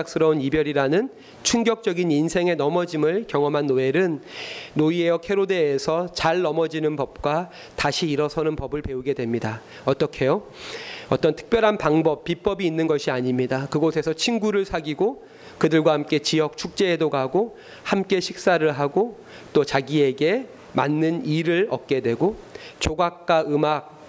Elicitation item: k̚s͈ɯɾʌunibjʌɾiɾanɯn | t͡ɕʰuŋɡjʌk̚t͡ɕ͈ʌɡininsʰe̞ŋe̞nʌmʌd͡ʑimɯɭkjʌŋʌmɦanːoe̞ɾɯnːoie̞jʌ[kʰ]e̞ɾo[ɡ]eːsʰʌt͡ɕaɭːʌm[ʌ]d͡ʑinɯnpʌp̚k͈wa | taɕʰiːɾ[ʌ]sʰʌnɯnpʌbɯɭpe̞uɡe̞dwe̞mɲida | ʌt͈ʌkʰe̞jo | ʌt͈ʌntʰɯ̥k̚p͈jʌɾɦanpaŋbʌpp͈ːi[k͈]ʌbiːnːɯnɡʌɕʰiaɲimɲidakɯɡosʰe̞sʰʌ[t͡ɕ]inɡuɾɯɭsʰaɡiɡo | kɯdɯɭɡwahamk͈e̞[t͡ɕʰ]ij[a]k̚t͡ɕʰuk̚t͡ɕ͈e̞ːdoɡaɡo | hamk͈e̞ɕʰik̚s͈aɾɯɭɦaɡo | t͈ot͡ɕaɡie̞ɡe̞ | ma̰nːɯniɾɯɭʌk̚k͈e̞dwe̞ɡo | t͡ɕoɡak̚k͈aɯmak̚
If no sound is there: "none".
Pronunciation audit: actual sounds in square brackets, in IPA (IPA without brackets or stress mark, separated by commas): kʰ, d, ʌ, ʌ, p͈, t͡ɕʰ, t͡ɕ, ʌ